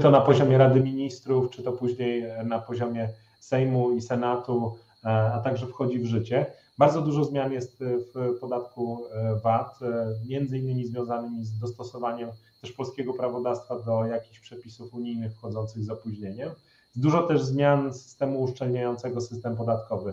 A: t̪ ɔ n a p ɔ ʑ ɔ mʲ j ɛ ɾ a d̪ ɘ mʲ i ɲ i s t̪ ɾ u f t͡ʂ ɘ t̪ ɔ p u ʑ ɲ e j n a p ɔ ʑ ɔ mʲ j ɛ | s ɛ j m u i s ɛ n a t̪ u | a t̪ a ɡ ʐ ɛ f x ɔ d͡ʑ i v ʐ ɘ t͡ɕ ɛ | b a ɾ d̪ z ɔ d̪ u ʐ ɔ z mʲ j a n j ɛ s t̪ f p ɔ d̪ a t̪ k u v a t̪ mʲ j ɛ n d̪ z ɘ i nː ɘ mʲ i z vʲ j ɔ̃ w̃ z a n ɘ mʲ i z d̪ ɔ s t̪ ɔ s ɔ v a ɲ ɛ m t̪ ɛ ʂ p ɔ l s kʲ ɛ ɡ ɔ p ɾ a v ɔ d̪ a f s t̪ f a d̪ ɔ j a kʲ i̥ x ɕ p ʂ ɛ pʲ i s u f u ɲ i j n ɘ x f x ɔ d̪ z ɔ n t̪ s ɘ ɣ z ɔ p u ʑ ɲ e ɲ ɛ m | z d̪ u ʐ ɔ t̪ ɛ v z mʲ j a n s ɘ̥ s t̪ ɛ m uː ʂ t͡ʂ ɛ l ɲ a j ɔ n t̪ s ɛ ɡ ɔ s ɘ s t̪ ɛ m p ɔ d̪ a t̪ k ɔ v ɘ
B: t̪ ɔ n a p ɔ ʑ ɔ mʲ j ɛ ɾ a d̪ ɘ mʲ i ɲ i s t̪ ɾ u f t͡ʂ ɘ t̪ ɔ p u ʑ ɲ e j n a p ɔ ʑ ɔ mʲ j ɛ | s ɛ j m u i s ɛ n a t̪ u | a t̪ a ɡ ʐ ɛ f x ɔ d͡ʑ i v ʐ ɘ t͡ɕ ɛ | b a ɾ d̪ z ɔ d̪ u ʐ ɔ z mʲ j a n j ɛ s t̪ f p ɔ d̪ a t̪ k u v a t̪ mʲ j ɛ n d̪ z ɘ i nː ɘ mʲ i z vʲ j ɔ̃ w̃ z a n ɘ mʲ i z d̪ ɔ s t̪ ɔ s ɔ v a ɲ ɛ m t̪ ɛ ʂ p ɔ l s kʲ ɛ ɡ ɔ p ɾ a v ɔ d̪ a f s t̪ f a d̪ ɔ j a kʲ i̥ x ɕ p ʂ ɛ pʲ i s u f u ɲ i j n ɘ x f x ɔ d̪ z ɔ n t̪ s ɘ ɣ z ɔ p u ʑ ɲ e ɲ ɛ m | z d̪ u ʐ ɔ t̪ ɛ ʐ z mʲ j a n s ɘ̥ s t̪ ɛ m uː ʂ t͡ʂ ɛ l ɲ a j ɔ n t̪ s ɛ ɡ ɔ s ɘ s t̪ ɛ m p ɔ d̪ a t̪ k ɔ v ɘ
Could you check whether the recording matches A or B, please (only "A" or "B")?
B